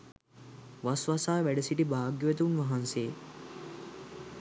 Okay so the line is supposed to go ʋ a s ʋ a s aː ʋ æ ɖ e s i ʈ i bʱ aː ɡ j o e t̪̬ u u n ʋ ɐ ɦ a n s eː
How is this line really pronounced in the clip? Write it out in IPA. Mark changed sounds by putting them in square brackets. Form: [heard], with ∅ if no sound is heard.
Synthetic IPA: ʋ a s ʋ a s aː ʋ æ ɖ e s i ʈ i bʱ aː ɡ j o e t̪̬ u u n ʋ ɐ ɦ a n s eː